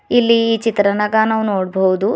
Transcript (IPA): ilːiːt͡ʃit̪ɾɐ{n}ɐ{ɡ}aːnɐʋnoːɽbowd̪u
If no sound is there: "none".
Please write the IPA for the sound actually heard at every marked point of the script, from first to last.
n, ɡ

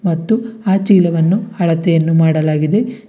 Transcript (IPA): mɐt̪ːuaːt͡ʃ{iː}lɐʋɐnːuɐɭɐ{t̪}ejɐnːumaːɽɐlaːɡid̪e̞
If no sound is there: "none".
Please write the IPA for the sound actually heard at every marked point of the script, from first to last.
iː, t̪

